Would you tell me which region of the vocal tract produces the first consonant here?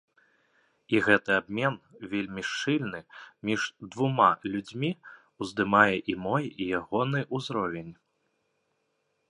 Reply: velum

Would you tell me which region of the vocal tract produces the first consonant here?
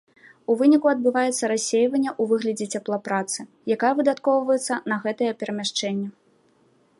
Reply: lips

